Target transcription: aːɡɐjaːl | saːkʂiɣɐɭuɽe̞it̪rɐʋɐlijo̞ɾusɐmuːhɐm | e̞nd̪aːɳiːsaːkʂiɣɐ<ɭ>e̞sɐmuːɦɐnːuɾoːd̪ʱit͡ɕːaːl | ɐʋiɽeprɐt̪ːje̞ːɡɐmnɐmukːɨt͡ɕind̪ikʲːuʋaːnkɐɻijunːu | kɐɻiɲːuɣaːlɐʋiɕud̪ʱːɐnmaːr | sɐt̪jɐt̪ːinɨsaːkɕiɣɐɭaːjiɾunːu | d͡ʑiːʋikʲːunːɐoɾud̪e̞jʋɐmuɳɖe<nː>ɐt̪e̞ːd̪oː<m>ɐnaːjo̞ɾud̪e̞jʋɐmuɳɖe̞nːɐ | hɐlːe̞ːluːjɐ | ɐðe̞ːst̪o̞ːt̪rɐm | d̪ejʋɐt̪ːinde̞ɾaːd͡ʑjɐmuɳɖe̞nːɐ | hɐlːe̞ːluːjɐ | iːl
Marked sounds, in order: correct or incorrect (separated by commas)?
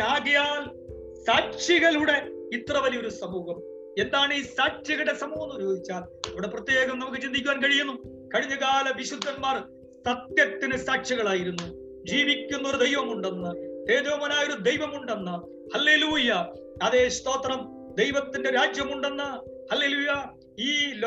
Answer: incorrect, correct, correct